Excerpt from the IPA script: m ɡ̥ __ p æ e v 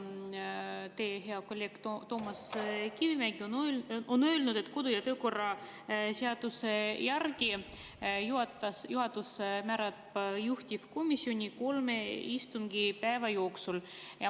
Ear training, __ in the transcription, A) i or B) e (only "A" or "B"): A